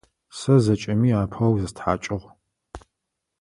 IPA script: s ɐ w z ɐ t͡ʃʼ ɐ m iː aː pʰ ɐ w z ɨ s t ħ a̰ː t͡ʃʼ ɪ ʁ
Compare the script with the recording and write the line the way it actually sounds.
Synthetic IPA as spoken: s ɐ z ɐ t͡ʃʼ ɐ m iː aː pʰ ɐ w z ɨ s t ħ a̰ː t͡ʃʼ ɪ ʁ